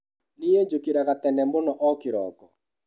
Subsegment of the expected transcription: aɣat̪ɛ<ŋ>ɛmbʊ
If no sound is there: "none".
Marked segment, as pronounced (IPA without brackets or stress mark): n